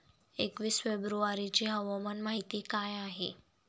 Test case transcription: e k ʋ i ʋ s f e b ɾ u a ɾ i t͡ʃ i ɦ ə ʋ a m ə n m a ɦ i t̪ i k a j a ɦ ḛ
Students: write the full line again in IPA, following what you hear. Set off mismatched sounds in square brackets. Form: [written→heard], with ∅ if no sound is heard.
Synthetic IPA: e k ʋ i [ʋ→∅] s f e b ɾ u a ɾ i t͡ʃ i ɦ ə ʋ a m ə n m a ɦ i t̪ i k a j a ɦ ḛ